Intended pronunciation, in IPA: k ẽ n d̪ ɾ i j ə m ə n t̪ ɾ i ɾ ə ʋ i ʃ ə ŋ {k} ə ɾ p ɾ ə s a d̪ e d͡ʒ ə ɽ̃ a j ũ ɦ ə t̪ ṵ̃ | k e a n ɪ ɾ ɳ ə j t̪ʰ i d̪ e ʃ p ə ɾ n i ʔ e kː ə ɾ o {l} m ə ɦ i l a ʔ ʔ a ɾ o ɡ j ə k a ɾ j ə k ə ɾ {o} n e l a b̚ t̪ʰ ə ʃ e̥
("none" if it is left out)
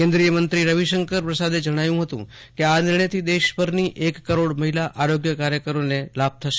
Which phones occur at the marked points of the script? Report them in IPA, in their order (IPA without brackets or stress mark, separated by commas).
k, ɽ, o